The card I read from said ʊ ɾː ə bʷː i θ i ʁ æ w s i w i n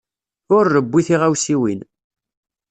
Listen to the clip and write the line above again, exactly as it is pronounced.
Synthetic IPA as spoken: ʊ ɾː ə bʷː i θ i ʁ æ w s i w i n